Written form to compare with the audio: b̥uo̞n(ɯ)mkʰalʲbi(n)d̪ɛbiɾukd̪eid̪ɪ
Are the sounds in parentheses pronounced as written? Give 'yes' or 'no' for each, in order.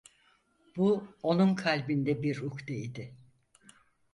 no, yes

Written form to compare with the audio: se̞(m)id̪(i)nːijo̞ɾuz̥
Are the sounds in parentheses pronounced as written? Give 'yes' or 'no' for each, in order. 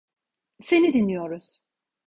no, yes

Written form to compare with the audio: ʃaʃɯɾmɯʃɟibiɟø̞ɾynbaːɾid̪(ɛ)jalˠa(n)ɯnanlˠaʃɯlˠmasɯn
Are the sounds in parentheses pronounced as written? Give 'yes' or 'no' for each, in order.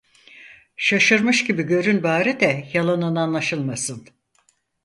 yes, yes

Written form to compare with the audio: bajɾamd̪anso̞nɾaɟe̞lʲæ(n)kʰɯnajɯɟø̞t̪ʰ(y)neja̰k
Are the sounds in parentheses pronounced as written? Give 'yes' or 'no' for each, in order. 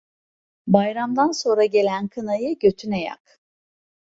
yes, yes

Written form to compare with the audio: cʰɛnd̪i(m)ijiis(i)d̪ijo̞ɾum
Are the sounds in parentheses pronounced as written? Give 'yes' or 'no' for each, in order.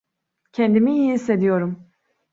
yes, no

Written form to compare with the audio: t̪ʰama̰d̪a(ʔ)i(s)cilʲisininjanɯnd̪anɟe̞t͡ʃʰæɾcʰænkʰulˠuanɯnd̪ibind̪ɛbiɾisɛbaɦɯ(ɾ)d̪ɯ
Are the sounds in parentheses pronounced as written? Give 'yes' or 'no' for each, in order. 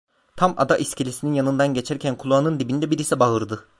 yes, yes, yes

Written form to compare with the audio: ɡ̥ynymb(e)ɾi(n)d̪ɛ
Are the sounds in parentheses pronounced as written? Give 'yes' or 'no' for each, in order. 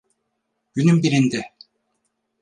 no, yes

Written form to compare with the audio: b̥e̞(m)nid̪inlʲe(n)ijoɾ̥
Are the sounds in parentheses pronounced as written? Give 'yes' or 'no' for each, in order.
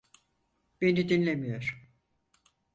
no, no

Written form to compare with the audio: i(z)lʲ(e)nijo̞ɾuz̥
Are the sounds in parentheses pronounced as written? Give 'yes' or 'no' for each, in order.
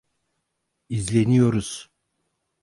yes, yes

